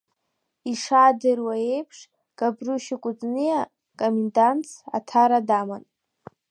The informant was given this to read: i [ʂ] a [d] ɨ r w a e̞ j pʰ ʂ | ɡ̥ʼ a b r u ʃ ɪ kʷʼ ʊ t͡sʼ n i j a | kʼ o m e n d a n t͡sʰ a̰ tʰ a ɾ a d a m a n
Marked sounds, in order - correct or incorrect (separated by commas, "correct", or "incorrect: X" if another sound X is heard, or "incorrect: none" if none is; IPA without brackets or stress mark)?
correct, correct